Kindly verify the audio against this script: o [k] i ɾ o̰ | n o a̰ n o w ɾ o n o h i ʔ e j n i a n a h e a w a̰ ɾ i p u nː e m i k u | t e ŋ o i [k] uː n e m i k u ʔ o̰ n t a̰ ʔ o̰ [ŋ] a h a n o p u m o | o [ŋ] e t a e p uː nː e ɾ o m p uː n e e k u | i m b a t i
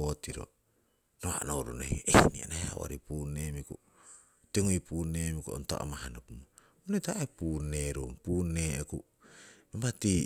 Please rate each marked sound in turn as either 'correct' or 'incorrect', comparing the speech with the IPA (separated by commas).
incorrect, incorrect, incorrect, incorrect